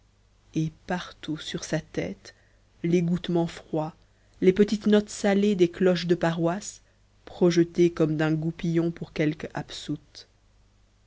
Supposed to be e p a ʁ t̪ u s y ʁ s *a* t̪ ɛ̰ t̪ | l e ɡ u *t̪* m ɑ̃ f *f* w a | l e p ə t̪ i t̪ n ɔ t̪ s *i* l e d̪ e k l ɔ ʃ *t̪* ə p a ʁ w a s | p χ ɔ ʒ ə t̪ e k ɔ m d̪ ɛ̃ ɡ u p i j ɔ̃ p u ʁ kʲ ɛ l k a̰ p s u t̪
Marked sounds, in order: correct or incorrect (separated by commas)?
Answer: correct, correct, incorrect, incorrect, incorrect